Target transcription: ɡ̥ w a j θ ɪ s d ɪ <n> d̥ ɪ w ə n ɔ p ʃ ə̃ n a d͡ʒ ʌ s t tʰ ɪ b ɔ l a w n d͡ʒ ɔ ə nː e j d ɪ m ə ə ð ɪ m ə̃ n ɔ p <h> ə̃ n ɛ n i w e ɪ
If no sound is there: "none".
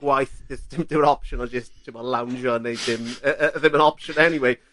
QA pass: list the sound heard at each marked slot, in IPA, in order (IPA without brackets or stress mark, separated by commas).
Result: m, ʃ